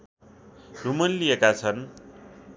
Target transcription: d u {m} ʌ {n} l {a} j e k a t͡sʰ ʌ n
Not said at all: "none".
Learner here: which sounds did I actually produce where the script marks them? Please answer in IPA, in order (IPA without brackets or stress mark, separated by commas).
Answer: m, n, i